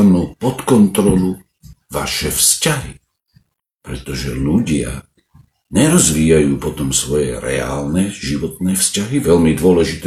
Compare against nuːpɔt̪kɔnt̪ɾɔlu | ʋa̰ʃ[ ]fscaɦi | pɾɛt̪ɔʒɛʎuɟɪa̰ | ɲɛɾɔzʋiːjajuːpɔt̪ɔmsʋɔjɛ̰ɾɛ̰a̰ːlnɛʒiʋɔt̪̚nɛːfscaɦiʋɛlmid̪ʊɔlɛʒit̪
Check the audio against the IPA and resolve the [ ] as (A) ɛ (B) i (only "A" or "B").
A